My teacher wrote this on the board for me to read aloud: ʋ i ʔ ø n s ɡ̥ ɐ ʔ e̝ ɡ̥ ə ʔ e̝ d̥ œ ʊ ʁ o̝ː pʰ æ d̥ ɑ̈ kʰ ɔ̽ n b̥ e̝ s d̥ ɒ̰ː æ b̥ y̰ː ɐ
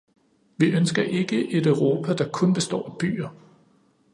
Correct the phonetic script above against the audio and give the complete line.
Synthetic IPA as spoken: ʋ i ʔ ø n s ɡ̥ ɐ ʔ e̝ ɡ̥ ə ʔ e̝ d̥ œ ʊ ʁ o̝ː pʰ æ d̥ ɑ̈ kʰ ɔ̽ n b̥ e̝ s d̥ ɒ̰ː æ b̥ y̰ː ɐ